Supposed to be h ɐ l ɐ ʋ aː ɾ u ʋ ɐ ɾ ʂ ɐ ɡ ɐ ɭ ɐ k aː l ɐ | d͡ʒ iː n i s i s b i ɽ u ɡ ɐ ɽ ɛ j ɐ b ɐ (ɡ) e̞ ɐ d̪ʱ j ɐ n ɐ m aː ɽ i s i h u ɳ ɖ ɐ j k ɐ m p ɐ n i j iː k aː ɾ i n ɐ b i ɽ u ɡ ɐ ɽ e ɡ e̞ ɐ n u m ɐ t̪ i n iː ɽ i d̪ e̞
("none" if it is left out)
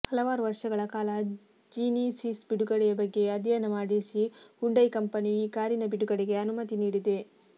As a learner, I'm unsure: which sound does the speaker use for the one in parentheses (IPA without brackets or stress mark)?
ɡː